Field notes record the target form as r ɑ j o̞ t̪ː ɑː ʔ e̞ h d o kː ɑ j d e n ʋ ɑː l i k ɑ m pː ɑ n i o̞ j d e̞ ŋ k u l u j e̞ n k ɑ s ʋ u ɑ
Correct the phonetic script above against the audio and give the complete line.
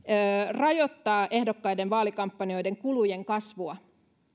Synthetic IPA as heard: r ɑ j o̞ t̪ː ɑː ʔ e̞ h d o kː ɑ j d e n ʋ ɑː l i k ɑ m pː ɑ n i o̞ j d e̞ ŋ k u l u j e̞ ŋ k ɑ s ʋ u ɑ